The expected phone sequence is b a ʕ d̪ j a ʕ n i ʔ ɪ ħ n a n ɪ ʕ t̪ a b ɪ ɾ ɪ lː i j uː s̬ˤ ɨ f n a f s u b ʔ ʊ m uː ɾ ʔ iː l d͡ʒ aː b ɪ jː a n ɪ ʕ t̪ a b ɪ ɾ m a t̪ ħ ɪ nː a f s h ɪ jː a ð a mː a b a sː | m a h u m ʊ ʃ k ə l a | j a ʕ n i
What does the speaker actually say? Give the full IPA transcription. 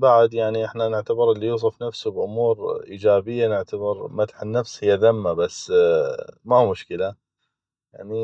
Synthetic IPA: b a ʕ d̪ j a ʕ n i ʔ ɪ ħ n a n ɪ ʕ t̪ a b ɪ ɾ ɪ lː i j uː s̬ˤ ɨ f n a f s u b ʔ ʊ m uː ɾ ʔ iː d͡ʒ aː b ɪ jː a n ɪ ʕ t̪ a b ɪ ɾ m a t̪ ħ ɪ nː a f s h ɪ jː a ð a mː a b a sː | m a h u m ʊ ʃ k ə l a | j a ʕ n i